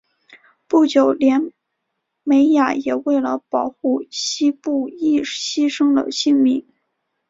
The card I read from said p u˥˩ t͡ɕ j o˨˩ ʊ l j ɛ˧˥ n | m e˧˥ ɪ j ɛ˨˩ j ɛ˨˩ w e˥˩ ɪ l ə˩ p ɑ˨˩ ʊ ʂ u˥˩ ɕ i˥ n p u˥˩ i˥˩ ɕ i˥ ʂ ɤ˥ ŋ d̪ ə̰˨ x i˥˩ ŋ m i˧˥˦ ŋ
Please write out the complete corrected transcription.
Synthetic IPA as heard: p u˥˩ t͡ɕ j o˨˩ ʊ l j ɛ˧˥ n | m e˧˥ ɪ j a˨˩ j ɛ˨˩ w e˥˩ ɪ l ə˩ p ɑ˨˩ ʊ x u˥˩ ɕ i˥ p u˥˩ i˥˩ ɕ i˥ ʂ ɤ˥ ŋ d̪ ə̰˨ ɕ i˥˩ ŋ m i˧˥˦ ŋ